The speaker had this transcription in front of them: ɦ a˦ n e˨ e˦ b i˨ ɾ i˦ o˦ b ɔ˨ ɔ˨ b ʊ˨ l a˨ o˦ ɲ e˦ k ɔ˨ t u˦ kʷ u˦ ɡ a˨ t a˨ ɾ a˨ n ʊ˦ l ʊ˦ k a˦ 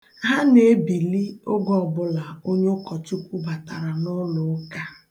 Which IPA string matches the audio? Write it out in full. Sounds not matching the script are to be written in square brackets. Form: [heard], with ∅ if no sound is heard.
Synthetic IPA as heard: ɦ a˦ n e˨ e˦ b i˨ [l] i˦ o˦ [ɡ] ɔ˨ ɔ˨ b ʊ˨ l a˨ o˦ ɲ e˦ k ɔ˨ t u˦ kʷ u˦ [b] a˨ t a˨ ɾ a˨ n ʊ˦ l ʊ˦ k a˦